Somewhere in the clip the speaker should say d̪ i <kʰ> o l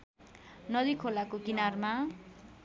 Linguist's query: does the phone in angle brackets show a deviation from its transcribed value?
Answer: no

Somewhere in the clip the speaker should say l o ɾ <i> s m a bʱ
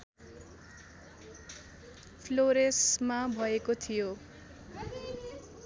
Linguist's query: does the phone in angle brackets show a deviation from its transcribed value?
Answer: yes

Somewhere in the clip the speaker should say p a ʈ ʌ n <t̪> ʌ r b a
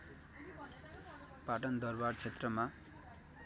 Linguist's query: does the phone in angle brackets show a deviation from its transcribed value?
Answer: yes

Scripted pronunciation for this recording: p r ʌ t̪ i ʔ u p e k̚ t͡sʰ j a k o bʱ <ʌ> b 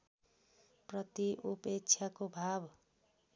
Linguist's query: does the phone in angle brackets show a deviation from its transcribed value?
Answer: yes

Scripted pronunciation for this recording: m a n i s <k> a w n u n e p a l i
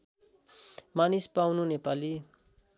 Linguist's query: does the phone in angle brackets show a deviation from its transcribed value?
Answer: yes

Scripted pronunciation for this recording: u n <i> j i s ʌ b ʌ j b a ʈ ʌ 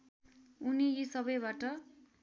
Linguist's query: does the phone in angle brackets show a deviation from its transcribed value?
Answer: no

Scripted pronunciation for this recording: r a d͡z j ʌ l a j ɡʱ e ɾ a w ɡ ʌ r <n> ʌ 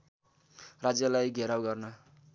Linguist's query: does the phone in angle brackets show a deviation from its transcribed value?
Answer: no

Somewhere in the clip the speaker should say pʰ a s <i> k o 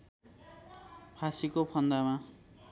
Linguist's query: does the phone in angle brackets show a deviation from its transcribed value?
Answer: no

